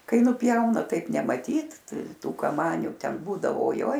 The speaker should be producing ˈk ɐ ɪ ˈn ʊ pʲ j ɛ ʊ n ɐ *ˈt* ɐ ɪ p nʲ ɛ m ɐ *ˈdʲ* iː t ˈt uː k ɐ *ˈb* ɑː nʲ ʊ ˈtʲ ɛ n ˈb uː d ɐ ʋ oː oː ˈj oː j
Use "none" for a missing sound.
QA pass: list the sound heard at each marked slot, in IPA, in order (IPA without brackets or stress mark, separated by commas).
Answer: t, tʲ, m